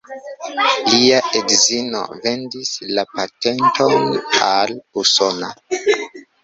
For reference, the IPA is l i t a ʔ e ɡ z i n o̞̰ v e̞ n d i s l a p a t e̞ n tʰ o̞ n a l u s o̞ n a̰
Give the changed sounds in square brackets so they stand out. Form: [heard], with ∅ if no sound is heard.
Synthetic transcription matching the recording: l i [∅] a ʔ e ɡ z i n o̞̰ v e̞ n d i s l a p a t e̞ n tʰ o̞ n a l u s o̞ n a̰